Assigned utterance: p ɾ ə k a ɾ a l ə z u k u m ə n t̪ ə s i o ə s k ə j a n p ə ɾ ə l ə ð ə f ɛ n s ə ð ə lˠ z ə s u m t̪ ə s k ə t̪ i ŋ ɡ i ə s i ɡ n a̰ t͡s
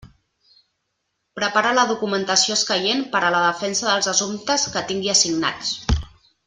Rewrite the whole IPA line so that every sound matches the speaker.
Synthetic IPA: p ɾ ə p a ɾ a l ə ð u k u m ə n t̪ ə s i o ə s k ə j e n p ə ɾ ə l ə ð ə f ɛ n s ə ð ə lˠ z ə s u m t̪ ə s k ə t̪ i ŋ ɡ i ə s i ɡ n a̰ t͡s